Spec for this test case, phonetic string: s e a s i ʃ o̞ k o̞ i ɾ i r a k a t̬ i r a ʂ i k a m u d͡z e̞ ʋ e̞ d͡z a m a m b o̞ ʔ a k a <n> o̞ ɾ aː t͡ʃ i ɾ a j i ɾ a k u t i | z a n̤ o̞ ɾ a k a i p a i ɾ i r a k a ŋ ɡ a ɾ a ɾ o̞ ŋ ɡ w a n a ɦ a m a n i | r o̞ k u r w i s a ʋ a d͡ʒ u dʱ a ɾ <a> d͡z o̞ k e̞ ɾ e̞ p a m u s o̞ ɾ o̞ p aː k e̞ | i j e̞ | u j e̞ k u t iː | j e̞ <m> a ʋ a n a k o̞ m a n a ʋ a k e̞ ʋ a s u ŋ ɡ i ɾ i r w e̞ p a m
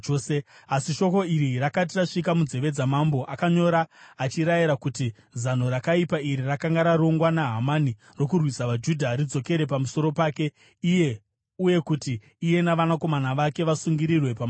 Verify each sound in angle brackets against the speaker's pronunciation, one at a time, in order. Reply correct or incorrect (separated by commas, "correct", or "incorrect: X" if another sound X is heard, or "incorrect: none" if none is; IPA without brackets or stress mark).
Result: incorrect: ɲ, incorrect: i, incorrect: n